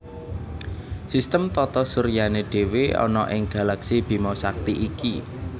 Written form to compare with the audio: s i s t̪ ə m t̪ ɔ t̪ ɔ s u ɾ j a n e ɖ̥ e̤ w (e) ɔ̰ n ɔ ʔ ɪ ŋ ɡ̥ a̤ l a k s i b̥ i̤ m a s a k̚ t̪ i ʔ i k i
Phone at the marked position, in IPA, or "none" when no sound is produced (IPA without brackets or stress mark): e